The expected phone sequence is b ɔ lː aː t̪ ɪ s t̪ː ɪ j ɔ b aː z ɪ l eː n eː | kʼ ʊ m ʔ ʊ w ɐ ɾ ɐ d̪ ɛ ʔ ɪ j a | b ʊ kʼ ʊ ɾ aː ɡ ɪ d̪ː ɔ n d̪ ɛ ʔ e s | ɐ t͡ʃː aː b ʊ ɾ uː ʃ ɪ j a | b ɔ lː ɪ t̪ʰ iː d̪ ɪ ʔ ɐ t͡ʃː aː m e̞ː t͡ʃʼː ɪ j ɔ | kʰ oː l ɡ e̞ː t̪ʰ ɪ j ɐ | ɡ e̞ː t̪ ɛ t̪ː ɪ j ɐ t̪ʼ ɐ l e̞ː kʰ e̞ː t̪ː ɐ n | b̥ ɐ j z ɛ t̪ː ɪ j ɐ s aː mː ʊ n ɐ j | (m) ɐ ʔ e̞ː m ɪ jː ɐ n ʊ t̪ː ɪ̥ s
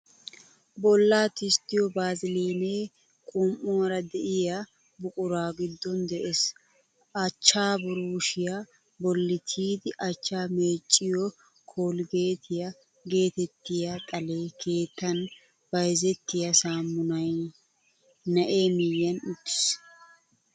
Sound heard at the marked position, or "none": n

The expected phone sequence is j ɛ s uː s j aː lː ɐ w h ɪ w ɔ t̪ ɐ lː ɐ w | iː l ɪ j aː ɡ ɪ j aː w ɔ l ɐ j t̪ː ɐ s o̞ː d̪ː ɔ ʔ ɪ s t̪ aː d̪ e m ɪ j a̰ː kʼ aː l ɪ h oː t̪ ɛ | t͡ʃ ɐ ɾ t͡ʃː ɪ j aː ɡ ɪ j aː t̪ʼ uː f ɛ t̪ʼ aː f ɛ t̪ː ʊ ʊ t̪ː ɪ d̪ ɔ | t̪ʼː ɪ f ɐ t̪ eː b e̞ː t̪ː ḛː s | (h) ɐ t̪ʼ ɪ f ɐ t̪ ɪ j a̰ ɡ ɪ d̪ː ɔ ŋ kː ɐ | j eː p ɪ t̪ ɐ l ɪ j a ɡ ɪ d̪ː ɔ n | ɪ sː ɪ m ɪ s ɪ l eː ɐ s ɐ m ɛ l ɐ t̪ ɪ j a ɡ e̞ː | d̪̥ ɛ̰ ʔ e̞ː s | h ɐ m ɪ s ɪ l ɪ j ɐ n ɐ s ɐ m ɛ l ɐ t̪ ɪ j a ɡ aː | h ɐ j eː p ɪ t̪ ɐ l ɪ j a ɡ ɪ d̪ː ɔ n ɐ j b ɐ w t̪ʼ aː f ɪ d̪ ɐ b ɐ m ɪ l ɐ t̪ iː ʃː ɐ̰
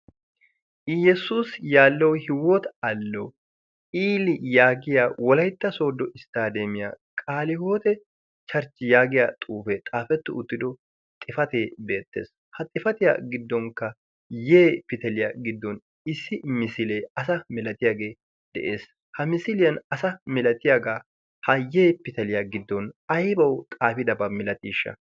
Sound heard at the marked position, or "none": h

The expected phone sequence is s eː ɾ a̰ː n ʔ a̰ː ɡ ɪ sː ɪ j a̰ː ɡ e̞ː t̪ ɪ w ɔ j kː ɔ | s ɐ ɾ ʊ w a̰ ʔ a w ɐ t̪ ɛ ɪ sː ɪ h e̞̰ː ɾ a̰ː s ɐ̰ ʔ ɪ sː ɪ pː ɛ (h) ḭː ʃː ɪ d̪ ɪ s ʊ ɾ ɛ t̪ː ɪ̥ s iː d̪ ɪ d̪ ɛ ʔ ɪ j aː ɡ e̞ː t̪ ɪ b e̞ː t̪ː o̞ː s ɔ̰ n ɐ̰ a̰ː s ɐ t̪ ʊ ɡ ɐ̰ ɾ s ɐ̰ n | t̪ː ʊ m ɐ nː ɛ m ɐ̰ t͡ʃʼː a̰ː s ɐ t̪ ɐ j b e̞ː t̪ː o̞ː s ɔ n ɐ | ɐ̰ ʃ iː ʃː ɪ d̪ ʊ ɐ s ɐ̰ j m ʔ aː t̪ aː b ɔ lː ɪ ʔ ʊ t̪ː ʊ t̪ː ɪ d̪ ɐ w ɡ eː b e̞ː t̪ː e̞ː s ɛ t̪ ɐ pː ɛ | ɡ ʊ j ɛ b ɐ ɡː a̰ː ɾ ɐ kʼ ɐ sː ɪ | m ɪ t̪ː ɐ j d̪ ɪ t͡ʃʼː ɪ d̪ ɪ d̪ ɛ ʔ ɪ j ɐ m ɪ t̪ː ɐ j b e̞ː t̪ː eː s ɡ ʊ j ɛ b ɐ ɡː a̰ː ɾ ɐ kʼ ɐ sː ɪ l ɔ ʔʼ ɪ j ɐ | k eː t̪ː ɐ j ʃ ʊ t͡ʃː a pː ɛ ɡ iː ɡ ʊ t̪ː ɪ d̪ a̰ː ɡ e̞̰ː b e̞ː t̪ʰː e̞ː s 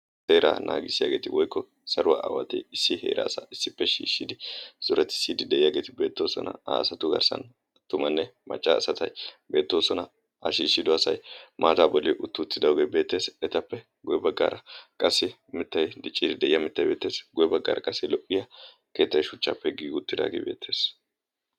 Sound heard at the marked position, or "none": ʃ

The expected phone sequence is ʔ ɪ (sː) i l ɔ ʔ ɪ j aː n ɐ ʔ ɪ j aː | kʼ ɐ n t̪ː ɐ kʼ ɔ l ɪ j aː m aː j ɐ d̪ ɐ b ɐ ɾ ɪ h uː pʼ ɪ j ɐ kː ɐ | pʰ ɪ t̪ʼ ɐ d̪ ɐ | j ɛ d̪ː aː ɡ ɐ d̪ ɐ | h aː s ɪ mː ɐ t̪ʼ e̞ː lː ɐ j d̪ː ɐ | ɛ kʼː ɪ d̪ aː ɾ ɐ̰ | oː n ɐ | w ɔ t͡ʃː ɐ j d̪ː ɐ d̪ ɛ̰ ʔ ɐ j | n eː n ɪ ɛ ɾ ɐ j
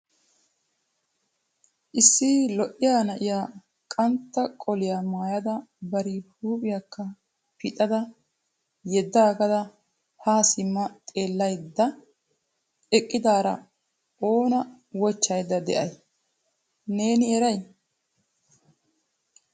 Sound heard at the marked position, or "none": sː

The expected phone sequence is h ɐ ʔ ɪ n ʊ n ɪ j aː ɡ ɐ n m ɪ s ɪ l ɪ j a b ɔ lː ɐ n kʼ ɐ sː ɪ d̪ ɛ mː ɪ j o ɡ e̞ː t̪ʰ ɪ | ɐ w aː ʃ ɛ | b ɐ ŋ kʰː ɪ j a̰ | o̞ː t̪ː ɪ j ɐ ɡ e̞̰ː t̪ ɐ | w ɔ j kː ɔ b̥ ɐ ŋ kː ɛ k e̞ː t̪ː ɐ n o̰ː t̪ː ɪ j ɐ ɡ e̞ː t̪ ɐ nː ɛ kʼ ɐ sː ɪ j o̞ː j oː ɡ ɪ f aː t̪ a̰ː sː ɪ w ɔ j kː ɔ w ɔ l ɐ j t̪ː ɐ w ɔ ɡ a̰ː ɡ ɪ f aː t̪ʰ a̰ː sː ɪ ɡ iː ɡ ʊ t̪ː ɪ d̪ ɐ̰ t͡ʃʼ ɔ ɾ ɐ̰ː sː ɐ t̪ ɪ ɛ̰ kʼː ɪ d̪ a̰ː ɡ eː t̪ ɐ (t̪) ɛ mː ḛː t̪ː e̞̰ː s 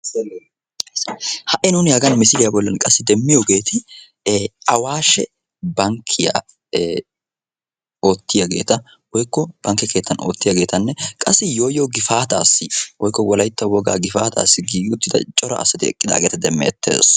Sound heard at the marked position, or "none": d̪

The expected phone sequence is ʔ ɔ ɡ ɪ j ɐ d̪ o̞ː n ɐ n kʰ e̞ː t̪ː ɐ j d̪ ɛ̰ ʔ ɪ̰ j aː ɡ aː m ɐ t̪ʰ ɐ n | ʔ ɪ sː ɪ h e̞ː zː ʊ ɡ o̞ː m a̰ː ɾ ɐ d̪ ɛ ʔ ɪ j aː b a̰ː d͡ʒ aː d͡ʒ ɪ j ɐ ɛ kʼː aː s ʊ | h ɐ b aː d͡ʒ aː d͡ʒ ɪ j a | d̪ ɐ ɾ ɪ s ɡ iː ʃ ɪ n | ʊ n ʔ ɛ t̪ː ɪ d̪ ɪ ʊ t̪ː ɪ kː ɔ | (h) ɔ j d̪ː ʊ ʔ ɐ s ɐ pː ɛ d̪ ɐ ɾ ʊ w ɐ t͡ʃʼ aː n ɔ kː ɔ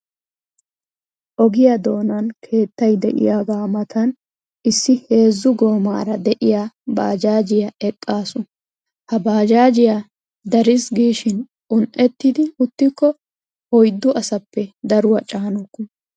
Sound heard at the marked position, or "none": h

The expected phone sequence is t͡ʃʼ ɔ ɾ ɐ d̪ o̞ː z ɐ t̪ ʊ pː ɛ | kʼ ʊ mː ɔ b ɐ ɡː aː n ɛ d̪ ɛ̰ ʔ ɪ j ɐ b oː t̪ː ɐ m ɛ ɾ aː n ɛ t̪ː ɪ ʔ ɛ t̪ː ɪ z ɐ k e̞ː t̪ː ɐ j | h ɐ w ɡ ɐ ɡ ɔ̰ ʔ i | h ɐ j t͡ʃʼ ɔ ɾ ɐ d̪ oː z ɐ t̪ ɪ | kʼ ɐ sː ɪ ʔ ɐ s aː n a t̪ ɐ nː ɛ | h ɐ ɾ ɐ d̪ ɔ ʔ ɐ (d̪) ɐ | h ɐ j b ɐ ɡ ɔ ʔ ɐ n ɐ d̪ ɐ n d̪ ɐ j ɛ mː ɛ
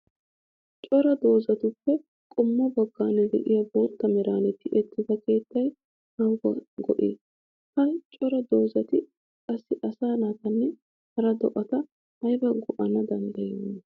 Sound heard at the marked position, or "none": t̪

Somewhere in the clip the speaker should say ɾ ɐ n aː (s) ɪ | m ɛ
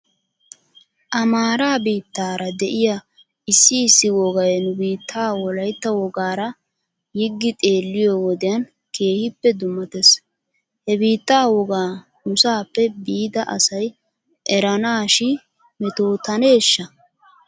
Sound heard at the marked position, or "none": ʃ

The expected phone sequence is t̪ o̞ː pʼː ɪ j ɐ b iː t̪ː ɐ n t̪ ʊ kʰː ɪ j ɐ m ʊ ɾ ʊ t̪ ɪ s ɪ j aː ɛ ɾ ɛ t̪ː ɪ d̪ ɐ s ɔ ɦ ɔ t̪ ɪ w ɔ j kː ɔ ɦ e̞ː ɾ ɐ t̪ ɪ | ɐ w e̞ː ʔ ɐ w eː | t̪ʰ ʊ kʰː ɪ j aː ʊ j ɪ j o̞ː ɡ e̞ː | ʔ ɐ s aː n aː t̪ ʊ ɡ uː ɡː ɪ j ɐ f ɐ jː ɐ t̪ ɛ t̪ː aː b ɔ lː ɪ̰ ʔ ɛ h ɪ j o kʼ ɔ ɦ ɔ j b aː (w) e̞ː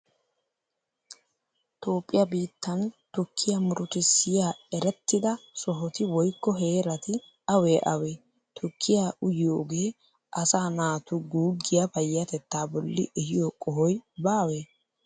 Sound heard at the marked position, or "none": w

